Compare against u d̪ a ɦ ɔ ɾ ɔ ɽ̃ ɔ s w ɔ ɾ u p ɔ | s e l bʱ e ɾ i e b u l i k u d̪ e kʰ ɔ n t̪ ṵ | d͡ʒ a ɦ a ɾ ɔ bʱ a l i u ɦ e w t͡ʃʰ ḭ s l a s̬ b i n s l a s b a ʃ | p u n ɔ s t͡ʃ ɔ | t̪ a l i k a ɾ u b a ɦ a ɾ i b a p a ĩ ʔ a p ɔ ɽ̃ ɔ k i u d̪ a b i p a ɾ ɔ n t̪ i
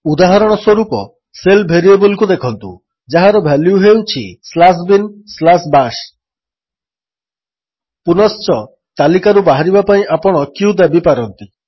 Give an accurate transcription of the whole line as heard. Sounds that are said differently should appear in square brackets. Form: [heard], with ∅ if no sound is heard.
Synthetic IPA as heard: u d̪ a ɦ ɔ ɾ ɔ ɽ̃ ɔ s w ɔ ɾ u p ɔ | s e l bʱ e ɾ i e b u l i k u d̪ e kʰ ɔ n t̪ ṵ | d͡ʒ a ɦ a ɾ ɔ bʱ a l i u ɦ e w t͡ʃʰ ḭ s l a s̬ b i n s l a s b a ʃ | p u n ɔ s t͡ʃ ɔ | t̪ a l i k a ɾ u b a ɦ a ɾ i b a p a ĩ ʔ a p ɔ ɽ̃ ɔ k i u d̪ a b i p a ɾ ɔ n t̪ i